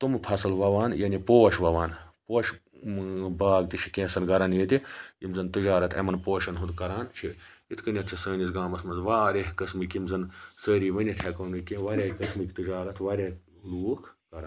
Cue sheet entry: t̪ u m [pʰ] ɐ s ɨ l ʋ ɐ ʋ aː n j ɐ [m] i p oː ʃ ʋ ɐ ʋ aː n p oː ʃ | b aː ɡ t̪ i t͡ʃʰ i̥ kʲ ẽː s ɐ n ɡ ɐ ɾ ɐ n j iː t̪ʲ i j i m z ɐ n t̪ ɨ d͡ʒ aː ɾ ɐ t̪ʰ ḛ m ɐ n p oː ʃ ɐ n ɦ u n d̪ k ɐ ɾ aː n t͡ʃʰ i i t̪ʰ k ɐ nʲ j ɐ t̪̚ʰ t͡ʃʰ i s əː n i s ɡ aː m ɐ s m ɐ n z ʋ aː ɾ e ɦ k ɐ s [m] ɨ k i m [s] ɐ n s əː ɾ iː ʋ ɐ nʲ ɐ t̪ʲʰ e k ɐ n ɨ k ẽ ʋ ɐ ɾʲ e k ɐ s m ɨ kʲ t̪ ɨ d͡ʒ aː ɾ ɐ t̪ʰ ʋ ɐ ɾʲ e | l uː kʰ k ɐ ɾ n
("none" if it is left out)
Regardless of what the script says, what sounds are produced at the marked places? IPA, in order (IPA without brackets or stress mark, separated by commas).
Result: pʰ, n, m, z